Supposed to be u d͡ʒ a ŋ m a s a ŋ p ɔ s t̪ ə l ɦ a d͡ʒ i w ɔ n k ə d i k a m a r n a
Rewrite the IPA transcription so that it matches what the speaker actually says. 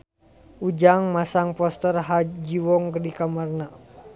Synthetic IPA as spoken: u d͡ʒ a ŋ m a s a ŋ p ɔ s t̪ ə r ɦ a d͡ʒ i w ɔ ŋ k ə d i k a m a r n a